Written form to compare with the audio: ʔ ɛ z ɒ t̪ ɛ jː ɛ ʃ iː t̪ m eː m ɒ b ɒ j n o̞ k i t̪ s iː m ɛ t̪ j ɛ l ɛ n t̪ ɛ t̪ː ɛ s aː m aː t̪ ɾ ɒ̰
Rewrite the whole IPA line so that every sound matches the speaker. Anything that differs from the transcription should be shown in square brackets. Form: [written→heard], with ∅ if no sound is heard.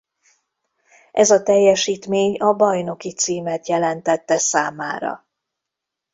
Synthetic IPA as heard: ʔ ɛ z ɒ t̪ ɛ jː ɛ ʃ iː t̪ m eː [m→ɲ] ɒ b ɒ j n o̞ k i t̪ s iː m ɛ t̪ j ɛ l ɛ n t̪ ɛ t̪ː ɛ s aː m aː [t̪→∅] ɾ ɒ̰